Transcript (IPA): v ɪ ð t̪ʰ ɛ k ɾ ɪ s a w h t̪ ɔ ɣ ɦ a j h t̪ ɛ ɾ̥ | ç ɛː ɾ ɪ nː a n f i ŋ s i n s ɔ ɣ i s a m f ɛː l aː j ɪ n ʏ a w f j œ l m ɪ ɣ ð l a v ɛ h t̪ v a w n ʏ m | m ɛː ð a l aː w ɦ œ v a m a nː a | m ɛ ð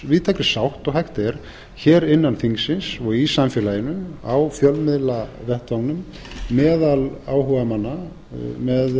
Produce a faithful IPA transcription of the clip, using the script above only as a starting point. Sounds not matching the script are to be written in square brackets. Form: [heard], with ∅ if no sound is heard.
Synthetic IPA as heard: v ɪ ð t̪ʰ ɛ k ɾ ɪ s a w h t̪ ɔ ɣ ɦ a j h t̪ ɛ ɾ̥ | ç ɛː ɾ ɪ nː a n f i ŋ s [ɪ] n s ɔ ɣ i s a m f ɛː l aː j ɪ n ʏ a w f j œ l m ɪ [∅] ð l a v ɛ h t̪ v a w n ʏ m | m ɛː ð a l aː w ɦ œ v a m a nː a | m ɛ ð